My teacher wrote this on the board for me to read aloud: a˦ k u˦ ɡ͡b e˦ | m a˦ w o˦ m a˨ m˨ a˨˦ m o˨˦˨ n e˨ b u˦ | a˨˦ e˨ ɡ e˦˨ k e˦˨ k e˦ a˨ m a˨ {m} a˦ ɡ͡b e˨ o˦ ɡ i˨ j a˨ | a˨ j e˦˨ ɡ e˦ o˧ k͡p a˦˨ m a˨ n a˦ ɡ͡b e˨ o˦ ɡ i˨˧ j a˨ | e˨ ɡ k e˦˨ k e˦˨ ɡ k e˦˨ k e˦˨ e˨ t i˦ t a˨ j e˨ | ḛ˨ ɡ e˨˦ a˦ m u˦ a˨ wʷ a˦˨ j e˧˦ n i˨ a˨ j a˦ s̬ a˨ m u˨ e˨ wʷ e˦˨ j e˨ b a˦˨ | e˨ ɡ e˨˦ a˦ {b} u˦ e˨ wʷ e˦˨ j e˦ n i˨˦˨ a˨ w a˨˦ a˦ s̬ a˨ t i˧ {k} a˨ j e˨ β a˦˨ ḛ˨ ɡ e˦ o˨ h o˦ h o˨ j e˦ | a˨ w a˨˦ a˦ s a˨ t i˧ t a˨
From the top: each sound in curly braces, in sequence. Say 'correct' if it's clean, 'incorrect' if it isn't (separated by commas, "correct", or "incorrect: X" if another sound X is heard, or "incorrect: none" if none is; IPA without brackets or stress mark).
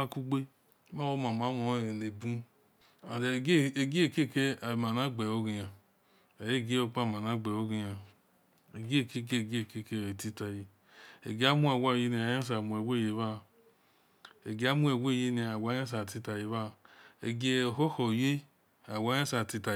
incorrect: n, incorrect: m, incorrect: t